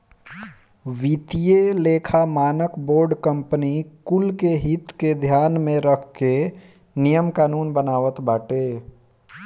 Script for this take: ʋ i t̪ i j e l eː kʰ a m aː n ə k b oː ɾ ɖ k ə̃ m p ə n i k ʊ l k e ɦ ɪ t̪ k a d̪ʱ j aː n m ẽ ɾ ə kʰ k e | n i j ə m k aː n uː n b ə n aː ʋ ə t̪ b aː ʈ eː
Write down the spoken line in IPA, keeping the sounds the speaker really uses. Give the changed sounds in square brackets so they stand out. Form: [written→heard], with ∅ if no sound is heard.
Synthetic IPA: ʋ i t̪ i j e l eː kʰ a m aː n ə k b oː ɾ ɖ k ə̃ m p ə n i k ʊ l k e ɦ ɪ t̪ k [a→e] d̪ʱ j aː n m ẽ ɾ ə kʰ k e | n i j ə m k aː n uː n b ə n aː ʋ ə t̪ b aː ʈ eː